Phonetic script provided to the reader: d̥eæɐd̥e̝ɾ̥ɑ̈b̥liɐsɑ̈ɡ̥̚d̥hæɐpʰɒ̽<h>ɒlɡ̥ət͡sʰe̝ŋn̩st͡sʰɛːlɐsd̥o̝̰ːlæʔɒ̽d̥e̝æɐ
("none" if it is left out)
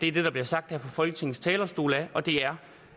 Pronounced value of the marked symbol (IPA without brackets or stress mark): f